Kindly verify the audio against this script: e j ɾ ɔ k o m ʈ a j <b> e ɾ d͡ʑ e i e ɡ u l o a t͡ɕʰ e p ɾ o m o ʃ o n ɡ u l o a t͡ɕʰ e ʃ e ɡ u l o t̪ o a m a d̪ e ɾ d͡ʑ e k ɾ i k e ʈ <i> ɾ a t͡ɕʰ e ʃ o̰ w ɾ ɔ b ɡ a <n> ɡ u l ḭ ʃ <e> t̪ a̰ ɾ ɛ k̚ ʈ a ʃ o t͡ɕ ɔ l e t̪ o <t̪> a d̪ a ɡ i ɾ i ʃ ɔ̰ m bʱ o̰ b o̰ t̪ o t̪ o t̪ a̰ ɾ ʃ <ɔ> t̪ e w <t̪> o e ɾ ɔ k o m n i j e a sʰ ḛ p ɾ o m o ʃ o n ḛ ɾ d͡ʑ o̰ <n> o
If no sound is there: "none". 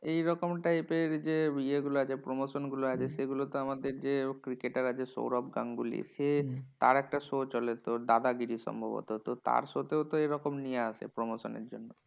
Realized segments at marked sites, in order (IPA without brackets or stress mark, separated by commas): p, a, ŋ, e, d̪, o, t̪, nː